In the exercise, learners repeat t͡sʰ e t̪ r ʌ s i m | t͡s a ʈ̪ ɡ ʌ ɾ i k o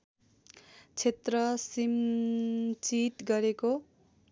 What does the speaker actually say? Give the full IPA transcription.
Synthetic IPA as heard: t͡sʰ e t̪ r ʌ s i m | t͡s i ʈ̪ ɡ ʌ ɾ e k o